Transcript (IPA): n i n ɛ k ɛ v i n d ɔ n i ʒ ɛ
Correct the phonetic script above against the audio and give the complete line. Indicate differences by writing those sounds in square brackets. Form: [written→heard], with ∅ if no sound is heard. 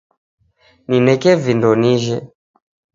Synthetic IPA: n i n ɛ k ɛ v i n d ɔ n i ʒ ɛ